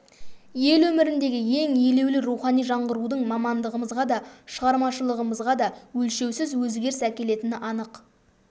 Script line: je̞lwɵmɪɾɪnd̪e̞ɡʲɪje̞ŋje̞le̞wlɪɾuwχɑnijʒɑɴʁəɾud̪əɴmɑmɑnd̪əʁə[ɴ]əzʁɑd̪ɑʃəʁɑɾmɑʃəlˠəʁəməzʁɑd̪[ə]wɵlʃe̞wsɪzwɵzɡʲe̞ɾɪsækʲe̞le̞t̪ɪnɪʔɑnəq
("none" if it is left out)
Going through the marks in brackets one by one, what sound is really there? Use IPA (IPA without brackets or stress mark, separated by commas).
m, ɑ